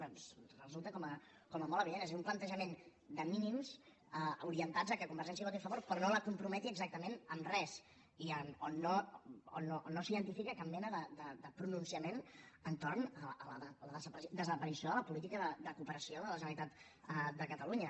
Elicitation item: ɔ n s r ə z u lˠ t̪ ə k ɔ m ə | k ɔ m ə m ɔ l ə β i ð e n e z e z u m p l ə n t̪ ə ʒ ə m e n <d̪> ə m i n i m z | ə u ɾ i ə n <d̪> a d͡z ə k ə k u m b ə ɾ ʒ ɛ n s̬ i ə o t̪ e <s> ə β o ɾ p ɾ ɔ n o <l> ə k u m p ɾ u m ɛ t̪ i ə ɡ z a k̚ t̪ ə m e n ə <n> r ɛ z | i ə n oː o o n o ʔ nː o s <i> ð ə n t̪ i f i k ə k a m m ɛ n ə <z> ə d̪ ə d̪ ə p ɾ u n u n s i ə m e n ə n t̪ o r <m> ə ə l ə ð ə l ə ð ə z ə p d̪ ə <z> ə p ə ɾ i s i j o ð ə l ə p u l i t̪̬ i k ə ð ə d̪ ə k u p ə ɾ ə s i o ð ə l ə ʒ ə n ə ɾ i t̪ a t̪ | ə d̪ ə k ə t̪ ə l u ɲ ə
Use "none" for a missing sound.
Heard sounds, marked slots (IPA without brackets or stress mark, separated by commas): d̪, t̪, f, l, m, i, ð, n, z